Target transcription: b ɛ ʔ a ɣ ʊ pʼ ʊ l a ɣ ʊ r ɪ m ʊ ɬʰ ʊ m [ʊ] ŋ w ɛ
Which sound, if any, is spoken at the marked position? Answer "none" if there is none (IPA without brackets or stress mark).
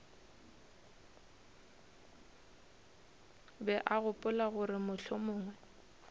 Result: ʊː